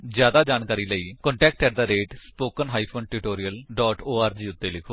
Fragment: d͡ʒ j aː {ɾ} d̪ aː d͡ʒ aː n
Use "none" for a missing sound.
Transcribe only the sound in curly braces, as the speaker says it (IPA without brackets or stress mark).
none